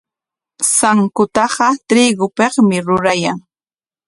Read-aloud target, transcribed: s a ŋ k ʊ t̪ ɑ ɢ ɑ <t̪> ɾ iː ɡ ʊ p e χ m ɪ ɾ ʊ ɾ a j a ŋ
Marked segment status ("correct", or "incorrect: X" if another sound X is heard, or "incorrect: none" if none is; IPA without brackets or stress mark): correct